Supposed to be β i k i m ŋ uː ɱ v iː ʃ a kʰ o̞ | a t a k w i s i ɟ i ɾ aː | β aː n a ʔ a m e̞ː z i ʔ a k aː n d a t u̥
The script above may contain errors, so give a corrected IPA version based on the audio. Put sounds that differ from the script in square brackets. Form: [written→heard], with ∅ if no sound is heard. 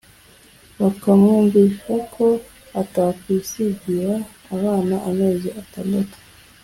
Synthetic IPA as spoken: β [i→a] k [i→a] m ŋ uː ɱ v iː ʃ a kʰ o̞ | a t a k w i s i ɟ i ɾ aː | β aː n a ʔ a m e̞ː z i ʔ a [k→t] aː n d a t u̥